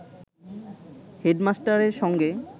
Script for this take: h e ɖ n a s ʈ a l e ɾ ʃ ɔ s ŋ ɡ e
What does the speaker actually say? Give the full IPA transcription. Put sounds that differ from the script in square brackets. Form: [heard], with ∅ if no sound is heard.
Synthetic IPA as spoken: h e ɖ [m] a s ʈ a [ɾ] e ɾ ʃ ɔ [∅] ŋ ɡ e